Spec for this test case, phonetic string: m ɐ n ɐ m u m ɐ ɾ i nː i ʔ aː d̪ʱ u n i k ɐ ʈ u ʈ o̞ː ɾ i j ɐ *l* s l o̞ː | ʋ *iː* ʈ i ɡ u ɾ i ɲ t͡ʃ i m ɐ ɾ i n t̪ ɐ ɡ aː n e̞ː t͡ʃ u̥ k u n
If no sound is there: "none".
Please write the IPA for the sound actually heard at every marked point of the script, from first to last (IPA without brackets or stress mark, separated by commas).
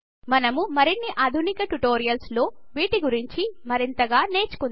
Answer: l, iː